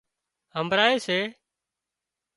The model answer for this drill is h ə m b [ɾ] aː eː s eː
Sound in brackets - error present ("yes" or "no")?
no